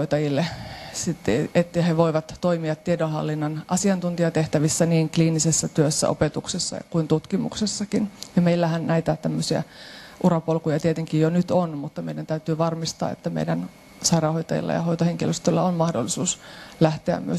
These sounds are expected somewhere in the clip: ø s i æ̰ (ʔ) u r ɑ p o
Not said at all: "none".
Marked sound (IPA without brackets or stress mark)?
ʔ